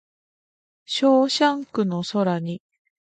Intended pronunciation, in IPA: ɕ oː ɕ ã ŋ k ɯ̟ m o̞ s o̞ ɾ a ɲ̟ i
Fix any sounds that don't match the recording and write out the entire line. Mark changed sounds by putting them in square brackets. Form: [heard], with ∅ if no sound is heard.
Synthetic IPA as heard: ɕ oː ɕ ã ŋ k ɯ̟ [n] o̞ s o̞ ɾ a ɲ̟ i